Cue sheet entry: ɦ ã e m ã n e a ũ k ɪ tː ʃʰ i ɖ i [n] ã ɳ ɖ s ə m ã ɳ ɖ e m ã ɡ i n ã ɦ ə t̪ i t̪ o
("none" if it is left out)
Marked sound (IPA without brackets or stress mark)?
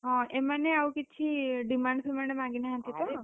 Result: m